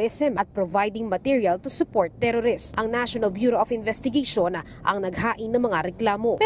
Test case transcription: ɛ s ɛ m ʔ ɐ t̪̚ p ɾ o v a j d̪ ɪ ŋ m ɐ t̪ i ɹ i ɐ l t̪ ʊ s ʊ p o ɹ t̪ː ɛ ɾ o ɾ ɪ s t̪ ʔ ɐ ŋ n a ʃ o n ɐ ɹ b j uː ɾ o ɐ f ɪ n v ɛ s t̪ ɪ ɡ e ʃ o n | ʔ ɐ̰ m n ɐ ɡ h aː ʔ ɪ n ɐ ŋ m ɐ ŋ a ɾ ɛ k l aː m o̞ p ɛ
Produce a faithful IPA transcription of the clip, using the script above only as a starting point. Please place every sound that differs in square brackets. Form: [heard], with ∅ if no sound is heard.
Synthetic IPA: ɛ s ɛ m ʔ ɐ t̪̚ p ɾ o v a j d̪ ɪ ŋ m ɐ t̪ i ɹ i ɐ l t̪ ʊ s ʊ p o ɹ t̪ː ɛ ɾ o ɾ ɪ s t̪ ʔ ɐ ŋ n a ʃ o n ɐ [l] b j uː ɾ o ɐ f ɪ n v ɛ s t̪ ɪ ɡ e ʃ o n | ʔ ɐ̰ [ŋ] n ɐ ɡ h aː ʔ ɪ n ɐ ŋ m ɐ ŋ a ɾ ɛ k l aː m o̞ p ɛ